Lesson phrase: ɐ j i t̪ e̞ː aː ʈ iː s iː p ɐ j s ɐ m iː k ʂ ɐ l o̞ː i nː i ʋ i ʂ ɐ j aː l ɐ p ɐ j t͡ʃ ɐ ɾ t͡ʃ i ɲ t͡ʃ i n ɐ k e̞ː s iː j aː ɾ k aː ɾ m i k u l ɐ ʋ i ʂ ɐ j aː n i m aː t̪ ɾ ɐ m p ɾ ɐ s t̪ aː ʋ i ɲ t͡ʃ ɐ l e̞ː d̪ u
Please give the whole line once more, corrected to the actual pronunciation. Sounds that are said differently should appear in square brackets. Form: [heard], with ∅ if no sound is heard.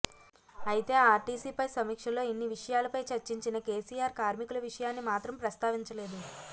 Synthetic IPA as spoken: ɐ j i t̪ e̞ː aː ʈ iː s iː p ɐ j s ɐ m iː k ʂ ɐ l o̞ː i nː i ʋ i ʂ ɐ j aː l ɐ p ɐ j t͡ʃ ɐ ɾ t͡ʃ i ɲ t͡ʃ i n ɐ k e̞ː s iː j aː ɾ k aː ɾ m i k u l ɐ ʋ i ʂ ɐ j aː [nː] i m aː t̪ ɾ ɐ m p ɾ ɐ s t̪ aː ʋ i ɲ t͡ʃ ɐ l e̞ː d̪ u

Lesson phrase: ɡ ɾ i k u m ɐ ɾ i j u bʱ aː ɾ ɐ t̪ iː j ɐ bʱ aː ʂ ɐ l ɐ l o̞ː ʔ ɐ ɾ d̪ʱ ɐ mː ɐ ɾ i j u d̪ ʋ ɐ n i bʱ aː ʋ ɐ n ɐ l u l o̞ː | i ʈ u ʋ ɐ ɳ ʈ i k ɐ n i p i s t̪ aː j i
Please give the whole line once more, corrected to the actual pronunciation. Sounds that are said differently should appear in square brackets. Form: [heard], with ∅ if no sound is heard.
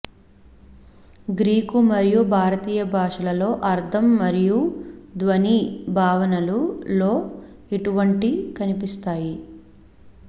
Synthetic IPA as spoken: ɡ ɾ [iː] k u m ɐ ɾ i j u bʱ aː ɾ ɐ t̪ iː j ɐ bʱ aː ʂ ɐ l ɐ l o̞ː ʔ ɐ ɾ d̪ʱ ɐ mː ɐ ɾ i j u d̪ ʋ ɐ n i bʱ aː ʋ ɐ n ɐ l u l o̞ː | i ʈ u ʋ ɐ ɳ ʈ i k ɐ n i p i s t̪ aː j i

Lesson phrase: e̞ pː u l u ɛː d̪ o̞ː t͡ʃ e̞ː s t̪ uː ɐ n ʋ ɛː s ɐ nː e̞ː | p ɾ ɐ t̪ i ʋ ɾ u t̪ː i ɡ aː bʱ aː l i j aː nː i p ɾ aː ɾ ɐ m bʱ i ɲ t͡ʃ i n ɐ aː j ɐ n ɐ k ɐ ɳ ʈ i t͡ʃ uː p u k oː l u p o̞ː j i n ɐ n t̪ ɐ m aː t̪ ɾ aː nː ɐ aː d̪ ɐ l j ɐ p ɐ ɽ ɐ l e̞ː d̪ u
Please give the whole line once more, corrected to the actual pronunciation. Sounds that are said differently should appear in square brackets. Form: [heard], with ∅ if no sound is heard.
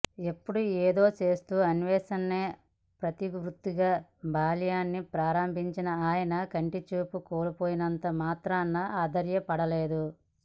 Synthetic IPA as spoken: e̞ pː u [ɽ] u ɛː d̪ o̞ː t͡ʃ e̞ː s t̪ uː ɐ n ʋ ɛː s ɐ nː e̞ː | p ɾ ɐ t̪ i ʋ ɾ u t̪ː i ɡ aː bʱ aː l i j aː nː i p ɾ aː ɾ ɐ m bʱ i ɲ t͡ʃ i n ɐ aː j ɐ n ɐ k ɐ ɳ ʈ i t͡ʃ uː p u k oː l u p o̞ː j i n ɐ n t̪ ɐ m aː t̪ ɾ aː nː ɐ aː d̪ ɐ [ɾ] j ɐ p ɐ ɽ ɐ l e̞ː d̪ u

